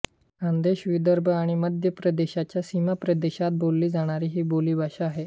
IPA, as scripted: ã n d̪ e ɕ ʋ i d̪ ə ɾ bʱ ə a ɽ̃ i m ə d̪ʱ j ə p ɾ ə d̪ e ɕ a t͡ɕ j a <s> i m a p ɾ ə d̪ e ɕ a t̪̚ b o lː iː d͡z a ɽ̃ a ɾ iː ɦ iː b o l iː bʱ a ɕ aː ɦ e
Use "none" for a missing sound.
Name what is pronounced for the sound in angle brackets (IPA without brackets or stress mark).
s